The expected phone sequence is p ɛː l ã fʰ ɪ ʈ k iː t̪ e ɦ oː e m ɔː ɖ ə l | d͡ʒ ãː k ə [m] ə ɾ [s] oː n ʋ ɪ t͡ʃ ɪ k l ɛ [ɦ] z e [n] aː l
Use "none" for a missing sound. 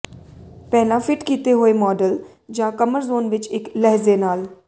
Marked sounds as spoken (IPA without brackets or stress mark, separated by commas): m, z, ɦ, n